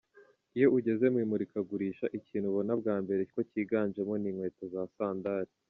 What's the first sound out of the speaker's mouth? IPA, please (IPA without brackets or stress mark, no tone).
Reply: i